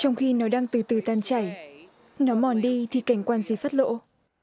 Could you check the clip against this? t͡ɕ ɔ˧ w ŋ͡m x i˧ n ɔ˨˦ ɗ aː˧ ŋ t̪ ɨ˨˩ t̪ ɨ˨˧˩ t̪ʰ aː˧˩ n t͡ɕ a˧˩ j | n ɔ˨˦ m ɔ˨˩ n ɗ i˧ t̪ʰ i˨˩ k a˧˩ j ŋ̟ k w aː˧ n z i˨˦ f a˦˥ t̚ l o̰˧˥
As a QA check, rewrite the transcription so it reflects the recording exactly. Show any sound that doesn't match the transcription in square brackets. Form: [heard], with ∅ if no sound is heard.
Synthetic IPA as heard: t͡ɕ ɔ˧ w ŋ͡m x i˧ n ɔ˨˦ ɗ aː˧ ŋ t̪ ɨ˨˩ t̪ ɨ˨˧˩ [t̪] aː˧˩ n t͡ɕ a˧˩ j | n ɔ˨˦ m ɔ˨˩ n ɗ i˧ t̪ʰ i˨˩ k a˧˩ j ŋ̟ k w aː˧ n z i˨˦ f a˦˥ t̚ l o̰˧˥